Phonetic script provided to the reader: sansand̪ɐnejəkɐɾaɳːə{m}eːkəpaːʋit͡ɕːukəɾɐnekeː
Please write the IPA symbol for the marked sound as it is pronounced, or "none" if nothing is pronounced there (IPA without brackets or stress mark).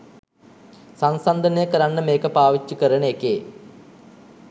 m